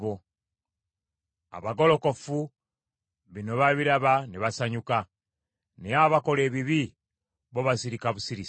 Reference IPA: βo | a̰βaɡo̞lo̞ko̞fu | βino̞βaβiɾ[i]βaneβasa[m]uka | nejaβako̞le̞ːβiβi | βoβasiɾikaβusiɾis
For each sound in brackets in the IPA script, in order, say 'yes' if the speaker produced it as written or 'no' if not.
no, no

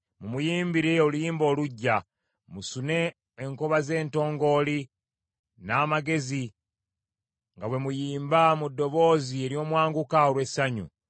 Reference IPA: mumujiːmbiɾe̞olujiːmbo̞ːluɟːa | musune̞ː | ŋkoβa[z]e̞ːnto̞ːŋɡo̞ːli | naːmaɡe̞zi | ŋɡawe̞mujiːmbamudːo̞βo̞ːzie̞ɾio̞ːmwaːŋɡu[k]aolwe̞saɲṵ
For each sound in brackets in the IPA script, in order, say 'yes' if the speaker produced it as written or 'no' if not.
yes, yes

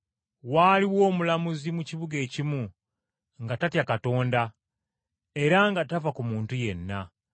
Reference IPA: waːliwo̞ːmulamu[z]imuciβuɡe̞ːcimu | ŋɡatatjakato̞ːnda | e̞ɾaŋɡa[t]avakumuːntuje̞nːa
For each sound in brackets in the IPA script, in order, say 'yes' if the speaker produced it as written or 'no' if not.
yes, yes

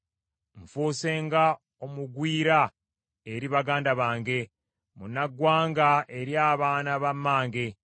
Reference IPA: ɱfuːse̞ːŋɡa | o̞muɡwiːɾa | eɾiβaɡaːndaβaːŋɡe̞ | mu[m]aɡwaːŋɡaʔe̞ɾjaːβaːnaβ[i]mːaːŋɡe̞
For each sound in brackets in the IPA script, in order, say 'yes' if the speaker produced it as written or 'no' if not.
no, no

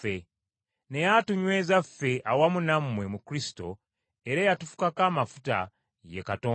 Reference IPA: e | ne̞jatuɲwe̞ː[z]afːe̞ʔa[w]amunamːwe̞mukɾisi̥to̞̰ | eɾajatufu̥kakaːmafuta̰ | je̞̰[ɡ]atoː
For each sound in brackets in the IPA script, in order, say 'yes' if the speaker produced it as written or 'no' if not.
yes, yes, no

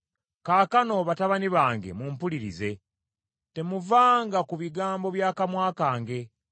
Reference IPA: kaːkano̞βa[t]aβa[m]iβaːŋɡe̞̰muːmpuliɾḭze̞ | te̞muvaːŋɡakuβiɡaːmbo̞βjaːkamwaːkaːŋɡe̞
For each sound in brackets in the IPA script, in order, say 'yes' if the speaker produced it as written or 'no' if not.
yes, no

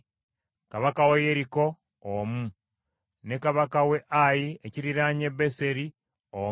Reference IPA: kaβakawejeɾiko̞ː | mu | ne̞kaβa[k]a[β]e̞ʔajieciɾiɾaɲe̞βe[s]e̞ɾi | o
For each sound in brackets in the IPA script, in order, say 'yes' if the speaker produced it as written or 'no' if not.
yes, no, yes

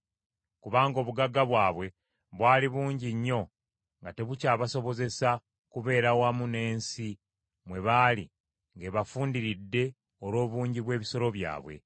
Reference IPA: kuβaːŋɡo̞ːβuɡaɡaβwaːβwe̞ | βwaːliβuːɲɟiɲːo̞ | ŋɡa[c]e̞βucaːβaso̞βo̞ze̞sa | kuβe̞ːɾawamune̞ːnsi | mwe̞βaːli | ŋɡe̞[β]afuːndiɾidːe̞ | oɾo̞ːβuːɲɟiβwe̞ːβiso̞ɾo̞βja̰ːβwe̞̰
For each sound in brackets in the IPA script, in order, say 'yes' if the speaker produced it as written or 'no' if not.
no, yes

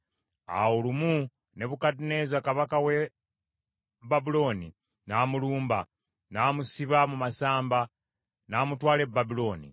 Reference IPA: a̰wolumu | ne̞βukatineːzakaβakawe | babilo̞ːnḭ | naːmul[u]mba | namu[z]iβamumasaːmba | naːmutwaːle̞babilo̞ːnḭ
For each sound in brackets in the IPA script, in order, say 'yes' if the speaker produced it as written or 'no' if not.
no, no

